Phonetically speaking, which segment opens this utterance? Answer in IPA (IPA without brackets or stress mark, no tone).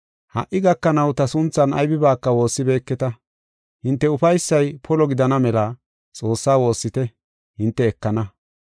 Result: h